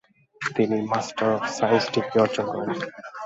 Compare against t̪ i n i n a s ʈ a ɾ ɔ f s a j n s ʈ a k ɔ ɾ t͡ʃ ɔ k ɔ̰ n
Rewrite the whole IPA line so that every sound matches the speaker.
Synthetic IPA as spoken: t̪ i n i m a s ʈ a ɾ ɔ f s a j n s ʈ i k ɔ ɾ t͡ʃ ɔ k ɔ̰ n

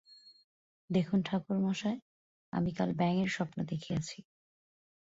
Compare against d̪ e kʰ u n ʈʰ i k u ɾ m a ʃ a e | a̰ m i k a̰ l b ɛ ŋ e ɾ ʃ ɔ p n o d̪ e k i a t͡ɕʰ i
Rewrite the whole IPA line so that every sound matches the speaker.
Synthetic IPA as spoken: d̪ e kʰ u n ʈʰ a k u ɾ m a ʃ a e | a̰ m i k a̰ l b ɛ ŋ e ɾ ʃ ɔ p n o d̪ e kʰ i a t͡ɕʰ i

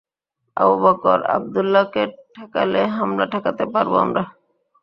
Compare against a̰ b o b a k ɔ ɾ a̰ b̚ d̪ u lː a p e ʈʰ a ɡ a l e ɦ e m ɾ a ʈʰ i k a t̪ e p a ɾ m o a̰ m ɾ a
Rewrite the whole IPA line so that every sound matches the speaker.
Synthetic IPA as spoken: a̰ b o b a k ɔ ɾ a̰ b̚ d̪ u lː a k e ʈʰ a k a l e ɦ a m ɾ a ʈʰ a k a t̪ e p a ɾ b o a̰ m ɾ a

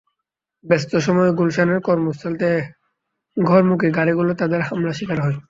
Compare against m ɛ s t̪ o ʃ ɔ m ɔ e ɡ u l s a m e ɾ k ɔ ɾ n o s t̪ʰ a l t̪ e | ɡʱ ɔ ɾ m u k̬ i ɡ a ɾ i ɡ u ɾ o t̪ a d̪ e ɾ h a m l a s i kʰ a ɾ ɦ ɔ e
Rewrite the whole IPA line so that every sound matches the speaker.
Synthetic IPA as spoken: b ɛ s t̪ o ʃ ɔ m ɔ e ɡ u l ʃ a n e ɾ k ɔ ɾ m o s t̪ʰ a l t̪ e | ɡʱ ɔ ɾ m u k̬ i ɡ a ɾ i ɡ u l o t̪ a d̪ e ɾ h a m l a ʃ i k a ɾ ɦ ɔ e

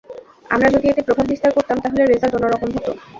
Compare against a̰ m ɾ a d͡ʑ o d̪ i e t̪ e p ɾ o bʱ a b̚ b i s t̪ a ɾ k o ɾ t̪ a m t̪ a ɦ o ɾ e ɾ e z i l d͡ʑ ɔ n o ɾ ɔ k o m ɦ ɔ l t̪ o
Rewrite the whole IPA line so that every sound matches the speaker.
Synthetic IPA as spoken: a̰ m ɾ a d͡ʑ o d̪ i e t̪ e p ɾ o bʱ a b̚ b i s t̪ a ɾ k o ɾ t̪ a m t̪ a ɦ o l e ɾ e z a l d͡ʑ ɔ n o ɾ ɔ k o m ɦ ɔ t̪ o

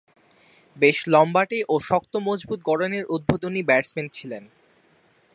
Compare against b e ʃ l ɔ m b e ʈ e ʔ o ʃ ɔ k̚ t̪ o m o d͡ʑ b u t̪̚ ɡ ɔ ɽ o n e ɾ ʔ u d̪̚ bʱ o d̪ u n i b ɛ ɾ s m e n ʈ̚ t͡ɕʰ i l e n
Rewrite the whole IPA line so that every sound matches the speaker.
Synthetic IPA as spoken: b e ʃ l ɔ m b a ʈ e ʔ o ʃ ɔ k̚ t̪ o m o d͡ʑ b u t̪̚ ɡ ɔ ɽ o n e ɾ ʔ u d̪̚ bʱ o d̪ o n i b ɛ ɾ s m e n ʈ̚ t͡ɕʰ i l e n

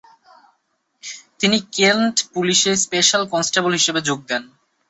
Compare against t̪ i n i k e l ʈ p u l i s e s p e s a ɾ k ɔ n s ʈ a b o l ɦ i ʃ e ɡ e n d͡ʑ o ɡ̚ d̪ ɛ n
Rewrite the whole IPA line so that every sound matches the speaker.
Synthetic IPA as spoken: t̪ i n i k e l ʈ p u l i ʃ e s p e ʃ a l k ɔ n s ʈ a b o l ɦ i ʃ e b e d͡ʑ o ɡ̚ d̪ ɛ n

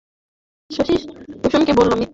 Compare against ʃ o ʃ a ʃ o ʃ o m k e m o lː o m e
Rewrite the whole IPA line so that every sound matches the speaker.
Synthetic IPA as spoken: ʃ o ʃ i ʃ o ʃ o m k e b o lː o m i

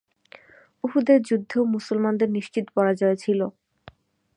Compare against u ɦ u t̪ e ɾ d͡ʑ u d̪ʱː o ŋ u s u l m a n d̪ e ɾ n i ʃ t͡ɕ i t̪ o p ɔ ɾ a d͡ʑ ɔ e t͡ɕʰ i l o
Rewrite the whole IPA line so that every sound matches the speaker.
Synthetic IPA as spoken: u ɦ u d̪ e ɾ d͡ʑ u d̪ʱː o m u s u l m a n d̪ e ɾ n i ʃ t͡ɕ i t̪ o p ɔ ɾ a d͡ʑ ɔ e t͡ɕʰ i l o

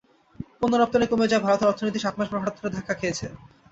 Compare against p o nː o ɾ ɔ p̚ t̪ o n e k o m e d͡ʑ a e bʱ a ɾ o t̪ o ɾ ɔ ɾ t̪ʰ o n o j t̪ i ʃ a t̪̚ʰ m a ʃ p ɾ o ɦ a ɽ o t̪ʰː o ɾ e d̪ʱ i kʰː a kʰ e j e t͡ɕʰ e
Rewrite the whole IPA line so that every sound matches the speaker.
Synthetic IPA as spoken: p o nː o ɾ ɔ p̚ t̪ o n e k o m e d͡ʑ a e bʱ a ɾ o t̪ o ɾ ɔ ɾ t̪ʰ o n o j t̪ i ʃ a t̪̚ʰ m a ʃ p ɾ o ɦ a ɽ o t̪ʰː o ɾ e d̪ʱ a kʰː a kʰ e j e t͡ɕʰ e

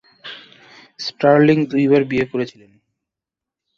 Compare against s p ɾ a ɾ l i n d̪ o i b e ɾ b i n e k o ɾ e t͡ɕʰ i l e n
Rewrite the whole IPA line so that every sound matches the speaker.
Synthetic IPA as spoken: s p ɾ a ɾ l i ŋ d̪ u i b a ɾ b i e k o ɾ e t͡ɕʰ i l e n

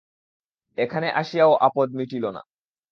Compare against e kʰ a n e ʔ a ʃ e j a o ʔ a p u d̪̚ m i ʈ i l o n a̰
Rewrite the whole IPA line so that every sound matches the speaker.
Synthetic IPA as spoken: e kʰ a n e ʔ a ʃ i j a o ʔ a p o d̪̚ m i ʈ i l o n a̰

